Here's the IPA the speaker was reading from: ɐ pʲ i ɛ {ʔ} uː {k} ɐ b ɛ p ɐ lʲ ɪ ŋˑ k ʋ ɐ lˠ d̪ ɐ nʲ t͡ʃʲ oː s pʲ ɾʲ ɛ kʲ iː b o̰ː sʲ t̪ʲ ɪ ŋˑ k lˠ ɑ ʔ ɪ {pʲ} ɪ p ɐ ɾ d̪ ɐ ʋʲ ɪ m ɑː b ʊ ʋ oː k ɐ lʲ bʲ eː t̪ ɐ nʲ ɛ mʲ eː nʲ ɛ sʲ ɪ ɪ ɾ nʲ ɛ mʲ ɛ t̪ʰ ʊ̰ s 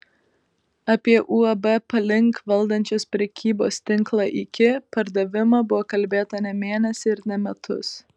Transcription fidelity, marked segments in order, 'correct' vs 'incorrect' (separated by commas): correct, incorrect, incorrect